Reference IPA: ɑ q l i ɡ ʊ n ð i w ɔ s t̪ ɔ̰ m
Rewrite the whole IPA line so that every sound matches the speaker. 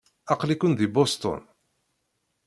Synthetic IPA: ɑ q l i k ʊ n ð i b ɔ s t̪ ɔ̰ n